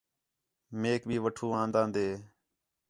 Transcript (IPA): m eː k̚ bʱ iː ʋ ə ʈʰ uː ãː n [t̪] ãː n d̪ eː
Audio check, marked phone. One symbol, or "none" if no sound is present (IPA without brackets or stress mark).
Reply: d̪